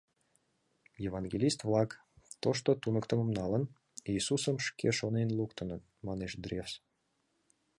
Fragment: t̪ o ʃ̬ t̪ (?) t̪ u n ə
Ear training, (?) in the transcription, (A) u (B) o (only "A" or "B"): B